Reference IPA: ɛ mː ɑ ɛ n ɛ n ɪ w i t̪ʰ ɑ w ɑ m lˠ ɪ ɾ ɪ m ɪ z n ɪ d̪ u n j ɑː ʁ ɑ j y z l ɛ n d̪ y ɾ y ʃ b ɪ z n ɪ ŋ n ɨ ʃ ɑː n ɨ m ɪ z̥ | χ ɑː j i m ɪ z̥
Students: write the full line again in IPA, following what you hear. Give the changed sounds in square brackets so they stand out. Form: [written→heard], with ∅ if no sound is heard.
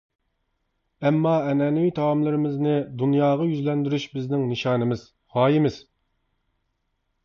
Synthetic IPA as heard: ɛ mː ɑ ɛ n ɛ n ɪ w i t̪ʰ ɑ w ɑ m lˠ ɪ ɾ ɪ m ɪ z n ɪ d̪ u n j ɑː ʁ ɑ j y z l ɛ n d̪ y ɾ y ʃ b ɪ z n ɪ ŋ n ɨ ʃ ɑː n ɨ m ɪ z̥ | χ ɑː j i m ɪ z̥